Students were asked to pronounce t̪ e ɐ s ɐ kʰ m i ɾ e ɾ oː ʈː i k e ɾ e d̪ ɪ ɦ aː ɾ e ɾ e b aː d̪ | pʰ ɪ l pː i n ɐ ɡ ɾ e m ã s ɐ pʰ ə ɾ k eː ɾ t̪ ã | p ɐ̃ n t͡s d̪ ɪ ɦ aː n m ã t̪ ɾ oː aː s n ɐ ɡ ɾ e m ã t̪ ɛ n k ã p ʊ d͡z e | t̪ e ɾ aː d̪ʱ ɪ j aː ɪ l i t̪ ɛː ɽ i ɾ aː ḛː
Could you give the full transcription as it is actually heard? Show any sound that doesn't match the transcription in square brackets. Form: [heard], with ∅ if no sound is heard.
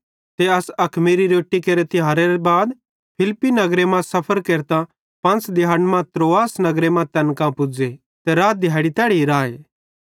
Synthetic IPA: t̪ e ɐ s ɐ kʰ m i ɾ [i] ɾ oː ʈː i k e ɾ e [t̪] ɪ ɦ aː ɾ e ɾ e b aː d̪ | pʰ ɪ l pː i n ɐ ɡ ɾ e m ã s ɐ pʰ ə ɾ k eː ɾ t̪ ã | p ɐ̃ n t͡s d̪ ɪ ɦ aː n m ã t̪ ɾ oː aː s n ɐ ɡ ɾ e m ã t̪ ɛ n k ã p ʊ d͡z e | t̪ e ɾ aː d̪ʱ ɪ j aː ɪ [ɽ] i t̪ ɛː ɽ i ɾ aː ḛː